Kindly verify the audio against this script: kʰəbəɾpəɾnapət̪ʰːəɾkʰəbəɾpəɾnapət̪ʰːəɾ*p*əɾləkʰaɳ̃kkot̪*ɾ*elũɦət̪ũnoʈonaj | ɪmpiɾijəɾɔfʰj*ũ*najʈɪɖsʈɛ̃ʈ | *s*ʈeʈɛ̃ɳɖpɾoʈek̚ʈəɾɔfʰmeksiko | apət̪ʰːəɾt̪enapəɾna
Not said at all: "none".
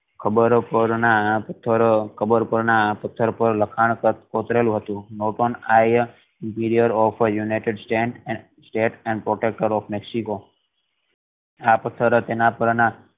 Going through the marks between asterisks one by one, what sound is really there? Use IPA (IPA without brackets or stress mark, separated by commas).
p, ɾ, u, s